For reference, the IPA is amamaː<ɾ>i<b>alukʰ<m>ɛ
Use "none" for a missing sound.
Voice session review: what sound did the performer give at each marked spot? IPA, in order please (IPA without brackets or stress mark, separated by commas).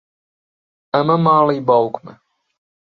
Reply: l, b, m